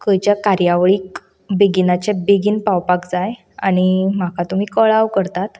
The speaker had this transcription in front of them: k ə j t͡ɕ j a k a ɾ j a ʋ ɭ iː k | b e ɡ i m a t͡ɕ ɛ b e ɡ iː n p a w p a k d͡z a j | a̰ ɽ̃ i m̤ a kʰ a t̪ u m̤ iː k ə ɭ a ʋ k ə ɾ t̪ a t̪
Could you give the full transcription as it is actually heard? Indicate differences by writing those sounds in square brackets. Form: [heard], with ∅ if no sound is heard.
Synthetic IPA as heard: k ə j t͡ɕ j a k a ɾ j a ʋ ɭ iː k | b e ɡ i [n] a t͡ɕ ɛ b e ɡ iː n p a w p a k d͡z a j | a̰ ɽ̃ i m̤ a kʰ a t̪ u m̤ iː k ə ɭ a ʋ k ə ɾ t̪ a t̪

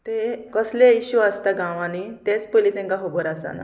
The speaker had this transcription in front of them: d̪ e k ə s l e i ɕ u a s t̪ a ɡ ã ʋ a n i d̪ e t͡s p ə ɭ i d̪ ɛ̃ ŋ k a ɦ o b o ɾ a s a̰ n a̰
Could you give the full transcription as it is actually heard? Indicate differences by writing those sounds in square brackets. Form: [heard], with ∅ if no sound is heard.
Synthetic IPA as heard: [t̪] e k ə s l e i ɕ u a s t̪ a ɡ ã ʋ a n i [t̪] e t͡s p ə [l] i [t̪] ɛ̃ ŋ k a ɦ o b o ɾ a s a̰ n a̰

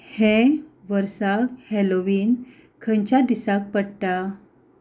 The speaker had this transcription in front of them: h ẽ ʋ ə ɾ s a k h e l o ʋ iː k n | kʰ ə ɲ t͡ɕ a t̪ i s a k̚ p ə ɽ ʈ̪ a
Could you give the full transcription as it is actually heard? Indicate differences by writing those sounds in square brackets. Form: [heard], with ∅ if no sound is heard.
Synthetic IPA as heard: h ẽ ʋ ə ɾ s a k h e l o ʋ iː [∅] n | kʰ ə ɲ t͡ɕ a [d̪] i s a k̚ p ə ɽ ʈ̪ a

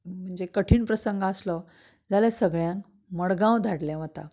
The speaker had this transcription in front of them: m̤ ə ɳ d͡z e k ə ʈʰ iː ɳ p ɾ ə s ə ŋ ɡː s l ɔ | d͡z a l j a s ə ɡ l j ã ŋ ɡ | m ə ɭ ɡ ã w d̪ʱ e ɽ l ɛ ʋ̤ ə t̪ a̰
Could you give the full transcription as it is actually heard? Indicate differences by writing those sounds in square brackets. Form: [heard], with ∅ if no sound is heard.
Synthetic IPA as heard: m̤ ə ɳ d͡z e k ə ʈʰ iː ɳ p ɾ ə s ə ŋ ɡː s l ɔ | d͡z a l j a s ə ɡ [ɭ] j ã ŋ [k] | m ə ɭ ɡ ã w d̪ʱ [a] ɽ l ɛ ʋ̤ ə t̪ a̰

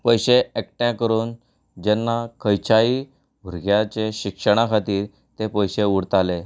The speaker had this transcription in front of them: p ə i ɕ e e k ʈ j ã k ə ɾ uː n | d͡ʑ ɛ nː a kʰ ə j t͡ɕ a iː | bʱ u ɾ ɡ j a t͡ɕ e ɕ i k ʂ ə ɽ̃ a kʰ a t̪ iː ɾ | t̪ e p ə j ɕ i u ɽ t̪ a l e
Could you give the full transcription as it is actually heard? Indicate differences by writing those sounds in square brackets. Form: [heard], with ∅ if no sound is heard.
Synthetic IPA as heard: p ə [j] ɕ e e k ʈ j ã k ə ɾ uː n | d͡ʑ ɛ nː a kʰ ə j t͡ɕ a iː | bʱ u ɾ ɡ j a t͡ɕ e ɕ i k ʂ ə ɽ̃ a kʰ a t̪ iː ɾ | t̪ e p ə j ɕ [e] u ɽ t̪ a l e

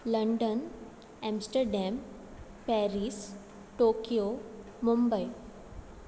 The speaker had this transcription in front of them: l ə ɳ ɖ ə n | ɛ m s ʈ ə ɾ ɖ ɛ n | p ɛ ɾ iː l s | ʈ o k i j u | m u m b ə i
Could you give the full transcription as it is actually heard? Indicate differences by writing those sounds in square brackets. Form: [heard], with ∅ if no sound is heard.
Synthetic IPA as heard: l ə ɳ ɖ ə n | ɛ m s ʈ ə ɾ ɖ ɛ [m] | p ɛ ɾ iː [∅] s | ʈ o k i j [o] | m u m b ə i

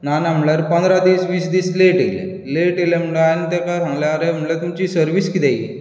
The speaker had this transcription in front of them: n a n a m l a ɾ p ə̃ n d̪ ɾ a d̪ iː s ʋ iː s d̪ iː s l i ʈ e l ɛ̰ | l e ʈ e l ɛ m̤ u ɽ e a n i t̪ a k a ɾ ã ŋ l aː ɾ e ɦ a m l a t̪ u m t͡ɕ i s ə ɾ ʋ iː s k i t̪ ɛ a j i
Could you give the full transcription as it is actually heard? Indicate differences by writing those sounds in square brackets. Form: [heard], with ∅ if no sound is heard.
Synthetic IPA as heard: n a n a m l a ɾ p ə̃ n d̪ ɾ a d̪ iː s ʋ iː s d̪ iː s l [e] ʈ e l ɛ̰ | l e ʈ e l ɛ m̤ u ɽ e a n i t̪ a k a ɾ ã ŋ l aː ɾ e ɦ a m l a t̪ u m t͡ɕ i s ə ɾ ʋ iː s k i t̪ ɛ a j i

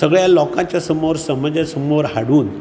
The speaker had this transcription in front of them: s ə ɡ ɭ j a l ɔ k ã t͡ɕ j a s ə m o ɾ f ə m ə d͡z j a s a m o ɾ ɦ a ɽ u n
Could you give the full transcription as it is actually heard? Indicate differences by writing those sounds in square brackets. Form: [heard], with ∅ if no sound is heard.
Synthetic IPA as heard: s ə ɡ ɭ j a l ɔ k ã t͡ɕ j a s ə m o ɾ [s] ə m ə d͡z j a s [ə] m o ɾ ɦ a ɽ [uː] n

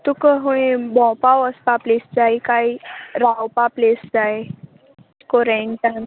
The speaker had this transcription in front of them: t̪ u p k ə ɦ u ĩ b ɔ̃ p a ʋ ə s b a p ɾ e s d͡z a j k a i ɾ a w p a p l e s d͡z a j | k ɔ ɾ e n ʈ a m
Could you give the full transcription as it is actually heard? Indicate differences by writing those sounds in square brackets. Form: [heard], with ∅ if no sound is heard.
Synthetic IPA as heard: t̪ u [∅] k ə ɦ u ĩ b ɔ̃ p a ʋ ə s [p] a p [l] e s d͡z a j k a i ɾ a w p a p l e s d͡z a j | k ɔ ɾ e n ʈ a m

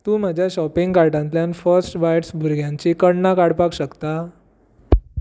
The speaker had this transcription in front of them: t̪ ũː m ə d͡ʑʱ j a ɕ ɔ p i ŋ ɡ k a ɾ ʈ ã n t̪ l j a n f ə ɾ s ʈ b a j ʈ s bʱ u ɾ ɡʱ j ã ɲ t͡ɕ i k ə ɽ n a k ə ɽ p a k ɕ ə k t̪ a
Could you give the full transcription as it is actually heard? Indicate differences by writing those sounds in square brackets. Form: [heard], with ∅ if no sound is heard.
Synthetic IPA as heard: t̪ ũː m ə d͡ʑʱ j a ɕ ɔ p i ŋ ɡ k a ɾ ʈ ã n t̪ l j a n f ə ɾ s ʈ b a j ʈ s bʱ u ɾ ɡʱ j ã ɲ t͡ɕ i k ə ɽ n a k [a] ɽ p a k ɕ ə k t̪ a

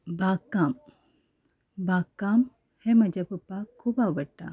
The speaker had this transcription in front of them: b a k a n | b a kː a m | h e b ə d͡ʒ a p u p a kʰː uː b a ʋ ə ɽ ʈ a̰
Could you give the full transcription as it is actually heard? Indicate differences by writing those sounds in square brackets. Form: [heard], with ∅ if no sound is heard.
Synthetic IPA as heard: b a k a [m] | b a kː a m | h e [m] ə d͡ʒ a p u p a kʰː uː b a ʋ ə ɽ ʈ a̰

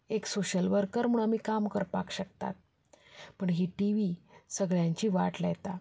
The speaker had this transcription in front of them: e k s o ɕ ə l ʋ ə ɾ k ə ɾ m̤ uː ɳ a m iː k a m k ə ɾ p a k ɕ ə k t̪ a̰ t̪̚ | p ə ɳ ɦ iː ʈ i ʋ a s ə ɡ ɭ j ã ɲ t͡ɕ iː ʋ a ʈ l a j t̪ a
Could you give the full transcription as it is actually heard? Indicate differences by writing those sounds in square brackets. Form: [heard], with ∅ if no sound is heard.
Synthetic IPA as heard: e k s o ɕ ə l ʋ ə ɾ k ə ɾ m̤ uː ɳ a m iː k a m k ə ɾ p a k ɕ ə k t̪ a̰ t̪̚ | p ə ɳ ɦ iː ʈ i ʋ [i] s ə ɡ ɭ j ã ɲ t͡ɕ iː ʋ a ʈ l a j t̪ a

